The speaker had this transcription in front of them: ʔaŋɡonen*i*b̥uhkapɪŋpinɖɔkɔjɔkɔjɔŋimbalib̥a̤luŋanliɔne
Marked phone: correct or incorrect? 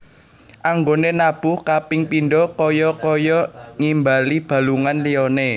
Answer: incorrect